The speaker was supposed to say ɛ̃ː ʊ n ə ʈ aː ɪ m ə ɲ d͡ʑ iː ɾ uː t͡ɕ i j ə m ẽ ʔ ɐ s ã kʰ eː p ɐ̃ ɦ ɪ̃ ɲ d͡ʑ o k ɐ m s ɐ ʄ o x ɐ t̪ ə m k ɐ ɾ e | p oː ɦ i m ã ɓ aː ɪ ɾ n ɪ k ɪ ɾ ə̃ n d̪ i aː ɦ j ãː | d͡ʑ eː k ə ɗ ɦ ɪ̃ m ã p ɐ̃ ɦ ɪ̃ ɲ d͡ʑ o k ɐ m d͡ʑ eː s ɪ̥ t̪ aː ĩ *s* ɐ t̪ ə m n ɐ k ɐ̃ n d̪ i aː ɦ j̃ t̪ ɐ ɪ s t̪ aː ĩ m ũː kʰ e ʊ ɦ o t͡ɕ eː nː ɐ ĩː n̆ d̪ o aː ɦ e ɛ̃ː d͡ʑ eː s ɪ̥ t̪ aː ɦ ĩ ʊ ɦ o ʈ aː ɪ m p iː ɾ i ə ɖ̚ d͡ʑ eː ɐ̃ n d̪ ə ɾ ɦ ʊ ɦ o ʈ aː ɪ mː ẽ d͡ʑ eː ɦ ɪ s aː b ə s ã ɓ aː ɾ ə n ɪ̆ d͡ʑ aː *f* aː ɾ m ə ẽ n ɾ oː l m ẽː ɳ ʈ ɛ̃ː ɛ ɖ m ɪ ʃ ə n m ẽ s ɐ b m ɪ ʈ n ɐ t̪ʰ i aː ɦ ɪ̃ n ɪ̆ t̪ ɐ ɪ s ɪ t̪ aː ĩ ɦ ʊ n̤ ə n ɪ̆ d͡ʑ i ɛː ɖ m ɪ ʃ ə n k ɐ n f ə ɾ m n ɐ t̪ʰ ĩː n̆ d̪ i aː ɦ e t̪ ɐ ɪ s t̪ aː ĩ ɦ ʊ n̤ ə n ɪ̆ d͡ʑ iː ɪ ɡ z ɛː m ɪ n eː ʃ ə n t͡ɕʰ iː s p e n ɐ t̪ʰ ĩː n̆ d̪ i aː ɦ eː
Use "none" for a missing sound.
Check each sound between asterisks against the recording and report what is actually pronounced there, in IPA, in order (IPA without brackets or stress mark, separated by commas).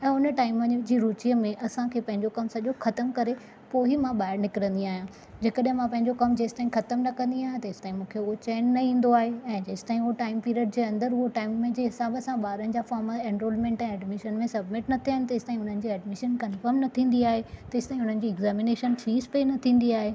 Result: x, f